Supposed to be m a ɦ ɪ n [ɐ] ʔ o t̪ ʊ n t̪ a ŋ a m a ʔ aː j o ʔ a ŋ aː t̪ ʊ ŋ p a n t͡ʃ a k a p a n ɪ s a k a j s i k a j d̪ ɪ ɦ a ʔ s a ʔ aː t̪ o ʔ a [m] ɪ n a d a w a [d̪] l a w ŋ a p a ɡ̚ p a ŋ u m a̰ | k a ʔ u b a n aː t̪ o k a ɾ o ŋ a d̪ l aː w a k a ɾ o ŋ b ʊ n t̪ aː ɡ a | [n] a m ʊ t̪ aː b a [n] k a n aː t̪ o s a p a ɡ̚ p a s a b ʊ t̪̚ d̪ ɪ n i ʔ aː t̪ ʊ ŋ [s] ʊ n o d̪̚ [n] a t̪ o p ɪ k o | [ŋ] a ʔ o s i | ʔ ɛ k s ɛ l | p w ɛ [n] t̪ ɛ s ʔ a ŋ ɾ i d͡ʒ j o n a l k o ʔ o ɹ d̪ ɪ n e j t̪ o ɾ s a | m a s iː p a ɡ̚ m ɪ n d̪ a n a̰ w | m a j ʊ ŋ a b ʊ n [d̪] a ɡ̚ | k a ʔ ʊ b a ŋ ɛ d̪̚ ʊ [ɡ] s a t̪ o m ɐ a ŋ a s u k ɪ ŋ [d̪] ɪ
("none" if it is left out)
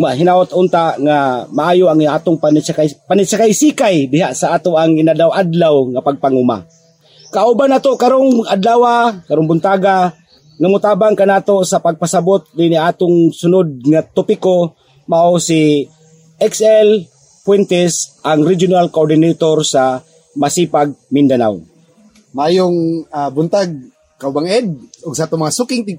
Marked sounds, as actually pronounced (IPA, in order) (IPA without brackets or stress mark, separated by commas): a, ŋ, d̪, ŋ, ŋ, s, ŋ, m, n, t̪, ɡ, t̪